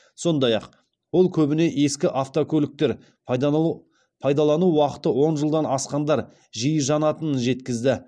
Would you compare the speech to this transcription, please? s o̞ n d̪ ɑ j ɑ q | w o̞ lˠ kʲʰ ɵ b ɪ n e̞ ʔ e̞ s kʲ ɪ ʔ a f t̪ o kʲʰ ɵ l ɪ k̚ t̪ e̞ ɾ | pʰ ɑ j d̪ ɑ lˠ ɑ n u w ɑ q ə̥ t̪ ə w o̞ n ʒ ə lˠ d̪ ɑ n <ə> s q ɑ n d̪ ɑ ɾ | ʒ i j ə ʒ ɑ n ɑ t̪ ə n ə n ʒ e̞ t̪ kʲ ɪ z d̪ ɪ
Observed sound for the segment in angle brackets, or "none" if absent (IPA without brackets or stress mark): ɑ